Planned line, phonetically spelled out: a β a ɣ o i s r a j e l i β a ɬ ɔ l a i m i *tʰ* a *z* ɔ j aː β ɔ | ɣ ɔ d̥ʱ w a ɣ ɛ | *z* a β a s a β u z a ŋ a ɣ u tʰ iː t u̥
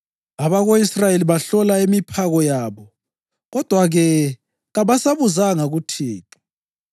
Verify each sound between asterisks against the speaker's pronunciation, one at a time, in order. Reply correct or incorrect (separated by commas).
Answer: incorrect, incorrect, incorrect